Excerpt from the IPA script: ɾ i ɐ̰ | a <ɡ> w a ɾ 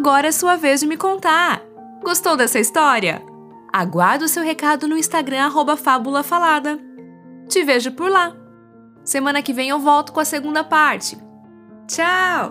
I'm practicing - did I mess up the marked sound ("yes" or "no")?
no